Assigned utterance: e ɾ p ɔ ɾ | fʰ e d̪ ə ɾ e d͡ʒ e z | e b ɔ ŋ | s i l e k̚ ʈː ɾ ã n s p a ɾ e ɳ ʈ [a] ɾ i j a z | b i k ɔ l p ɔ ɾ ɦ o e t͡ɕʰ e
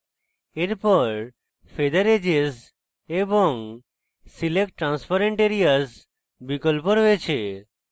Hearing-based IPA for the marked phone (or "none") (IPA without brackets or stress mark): e